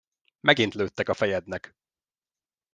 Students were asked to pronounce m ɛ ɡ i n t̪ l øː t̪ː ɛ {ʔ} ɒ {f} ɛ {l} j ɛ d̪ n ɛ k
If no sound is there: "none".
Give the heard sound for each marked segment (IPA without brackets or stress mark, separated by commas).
k, f, none